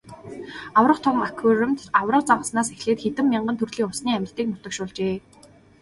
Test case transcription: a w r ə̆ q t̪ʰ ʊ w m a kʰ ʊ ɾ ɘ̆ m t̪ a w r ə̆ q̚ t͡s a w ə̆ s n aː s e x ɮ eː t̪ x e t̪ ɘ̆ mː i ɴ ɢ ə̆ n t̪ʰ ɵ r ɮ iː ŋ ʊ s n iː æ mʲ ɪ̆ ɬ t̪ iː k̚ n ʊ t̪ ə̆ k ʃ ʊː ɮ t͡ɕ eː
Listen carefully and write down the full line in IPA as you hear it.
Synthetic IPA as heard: a w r ə̆ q t̪ʰ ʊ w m a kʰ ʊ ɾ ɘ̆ m t̪ a w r ə̆ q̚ t͡s a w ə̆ s n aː s e x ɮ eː t̪ x e t̪ ɘ̆ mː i ɴ ɢ ə̆ n t̪ʰ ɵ r ɮ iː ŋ ʊ s n iː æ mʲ ɪ̆ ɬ t̪ iː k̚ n ʊ t̪ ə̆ k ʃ ʊː ɮ t͡ɕ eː

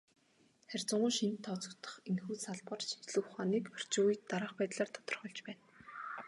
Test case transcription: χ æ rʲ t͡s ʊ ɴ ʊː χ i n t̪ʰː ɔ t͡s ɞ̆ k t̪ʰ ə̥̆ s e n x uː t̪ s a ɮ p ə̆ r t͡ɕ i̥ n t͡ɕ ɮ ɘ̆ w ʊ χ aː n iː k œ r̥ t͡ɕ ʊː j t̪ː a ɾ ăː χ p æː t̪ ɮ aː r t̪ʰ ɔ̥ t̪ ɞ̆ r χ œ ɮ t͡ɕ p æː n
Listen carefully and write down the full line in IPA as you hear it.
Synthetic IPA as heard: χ æ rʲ t͡s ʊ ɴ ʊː ʃ i n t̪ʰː ɔ t͡s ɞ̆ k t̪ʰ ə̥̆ χ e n x uː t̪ s a ɮ p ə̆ r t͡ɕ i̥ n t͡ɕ ɮ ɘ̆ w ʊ χ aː n iː k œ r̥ t͡ɕ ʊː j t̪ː a ɾ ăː χ p æː t̪ ɮ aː r t̪ʰ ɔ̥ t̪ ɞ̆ r χ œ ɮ t͡ɕ p æː n

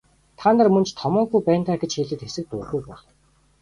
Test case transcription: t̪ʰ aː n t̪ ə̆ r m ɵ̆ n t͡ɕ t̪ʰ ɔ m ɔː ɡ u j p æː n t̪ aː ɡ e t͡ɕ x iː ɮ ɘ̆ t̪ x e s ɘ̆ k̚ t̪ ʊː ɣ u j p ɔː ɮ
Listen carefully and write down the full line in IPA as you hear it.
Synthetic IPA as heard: t̪ʰ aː n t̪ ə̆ r m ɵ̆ n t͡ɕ t̪ʰ ɔ m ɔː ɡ u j p æː n t̪ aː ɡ e t͡ɕ x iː ɮ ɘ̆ t̪ x e s ɘ̆ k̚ t̪ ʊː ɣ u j p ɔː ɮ

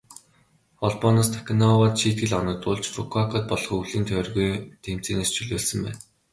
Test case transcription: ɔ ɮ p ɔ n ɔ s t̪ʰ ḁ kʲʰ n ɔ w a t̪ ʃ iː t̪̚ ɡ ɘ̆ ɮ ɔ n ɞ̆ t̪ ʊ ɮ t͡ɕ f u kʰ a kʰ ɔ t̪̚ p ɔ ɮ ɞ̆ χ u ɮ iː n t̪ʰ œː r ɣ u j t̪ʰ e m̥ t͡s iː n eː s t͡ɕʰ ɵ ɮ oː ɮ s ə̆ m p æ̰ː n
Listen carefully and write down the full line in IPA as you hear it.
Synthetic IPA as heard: ɔ ɮ p ɔ n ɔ s t̪ʰ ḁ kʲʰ n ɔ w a t̪ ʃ iː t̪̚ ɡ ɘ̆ ɮ ɔ n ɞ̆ t̪ ʊ ɮ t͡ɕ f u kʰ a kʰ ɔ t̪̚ p ɔ ɮ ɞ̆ χ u ɮ iː n t̪ʰ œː r ɣ u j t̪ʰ e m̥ t͡s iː n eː s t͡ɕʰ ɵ ɮ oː ɮ s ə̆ m p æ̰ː n

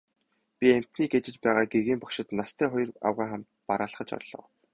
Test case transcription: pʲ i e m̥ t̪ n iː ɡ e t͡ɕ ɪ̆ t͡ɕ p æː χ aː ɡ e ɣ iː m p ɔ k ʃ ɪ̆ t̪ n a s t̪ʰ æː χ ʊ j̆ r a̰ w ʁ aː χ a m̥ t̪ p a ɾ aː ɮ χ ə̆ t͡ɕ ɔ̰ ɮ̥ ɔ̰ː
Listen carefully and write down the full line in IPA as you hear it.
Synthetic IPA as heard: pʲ i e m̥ t̪ n iː ɡ e t͡ɕ ɪ̆ t͡ɕ p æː ʁ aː ɡ e ɣ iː m p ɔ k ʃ ɪ̆ t̪ n a s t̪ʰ æː χ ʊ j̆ r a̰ w ʁ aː χ a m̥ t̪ p a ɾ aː ɮ χ ə̆ t͡ɕ ɔ̰ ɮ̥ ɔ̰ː

